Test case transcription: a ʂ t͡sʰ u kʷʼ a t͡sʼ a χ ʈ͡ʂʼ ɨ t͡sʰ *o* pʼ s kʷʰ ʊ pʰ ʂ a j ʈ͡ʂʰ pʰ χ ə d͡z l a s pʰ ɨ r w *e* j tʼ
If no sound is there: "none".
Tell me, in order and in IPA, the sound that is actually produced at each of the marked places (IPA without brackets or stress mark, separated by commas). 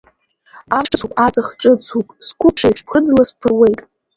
u, e